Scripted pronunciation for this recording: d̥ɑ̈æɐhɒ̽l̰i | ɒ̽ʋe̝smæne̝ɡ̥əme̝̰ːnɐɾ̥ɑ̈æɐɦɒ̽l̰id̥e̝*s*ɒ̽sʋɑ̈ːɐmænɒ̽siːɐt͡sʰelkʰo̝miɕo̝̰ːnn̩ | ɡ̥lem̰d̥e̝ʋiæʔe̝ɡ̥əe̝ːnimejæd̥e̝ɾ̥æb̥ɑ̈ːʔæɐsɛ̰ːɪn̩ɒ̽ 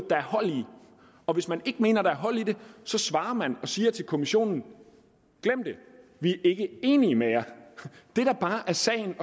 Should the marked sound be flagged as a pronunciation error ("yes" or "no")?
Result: no